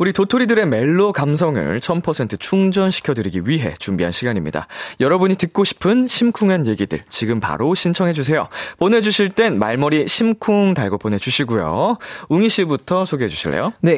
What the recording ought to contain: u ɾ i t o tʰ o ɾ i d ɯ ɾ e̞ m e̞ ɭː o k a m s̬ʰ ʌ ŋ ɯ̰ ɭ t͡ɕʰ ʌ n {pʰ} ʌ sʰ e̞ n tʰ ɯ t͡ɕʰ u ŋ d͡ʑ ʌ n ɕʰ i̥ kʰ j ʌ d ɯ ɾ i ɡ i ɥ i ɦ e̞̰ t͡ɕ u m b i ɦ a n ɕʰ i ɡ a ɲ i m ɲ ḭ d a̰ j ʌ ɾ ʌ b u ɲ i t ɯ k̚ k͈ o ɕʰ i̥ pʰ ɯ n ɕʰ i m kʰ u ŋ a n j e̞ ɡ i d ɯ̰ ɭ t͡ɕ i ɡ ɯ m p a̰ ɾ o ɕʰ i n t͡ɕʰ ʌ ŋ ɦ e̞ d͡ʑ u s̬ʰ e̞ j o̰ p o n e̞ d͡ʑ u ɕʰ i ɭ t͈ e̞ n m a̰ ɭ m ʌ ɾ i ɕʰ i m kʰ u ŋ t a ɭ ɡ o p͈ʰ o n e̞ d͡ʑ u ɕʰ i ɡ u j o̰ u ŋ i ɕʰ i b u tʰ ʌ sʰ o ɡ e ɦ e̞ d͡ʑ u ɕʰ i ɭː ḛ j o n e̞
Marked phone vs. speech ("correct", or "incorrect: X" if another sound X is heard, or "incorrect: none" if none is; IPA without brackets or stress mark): correct